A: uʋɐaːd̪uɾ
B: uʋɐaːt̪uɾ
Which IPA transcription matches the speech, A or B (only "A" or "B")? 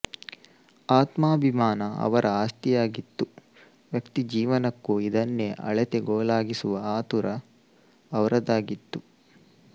B